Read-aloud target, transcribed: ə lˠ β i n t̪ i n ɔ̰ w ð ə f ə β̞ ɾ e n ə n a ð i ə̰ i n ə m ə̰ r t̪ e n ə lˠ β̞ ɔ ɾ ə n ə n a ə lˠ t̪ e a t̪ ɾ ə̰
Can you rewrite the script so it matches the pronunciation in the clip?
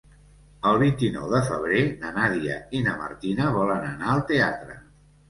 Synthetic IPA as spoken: ə lˠ β i n t̪ i n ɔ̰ w ð ə f ə β̞ ɾ e n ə n a ð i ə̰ i n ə m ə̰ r t̪ i n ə β̞ ɔ l ə n ə n a ə lˠ t̪ e a t̪ ɾ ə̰